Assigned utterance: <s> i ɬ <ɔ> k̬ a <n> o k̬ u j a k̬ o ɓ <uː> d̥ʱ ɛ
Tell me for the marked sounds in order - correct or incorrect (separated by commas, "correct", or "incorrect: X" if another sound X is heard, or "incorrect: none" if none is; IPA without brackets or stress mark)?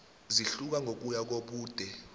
incorrect: z, incorrect: u, incorrect: ŋ, correct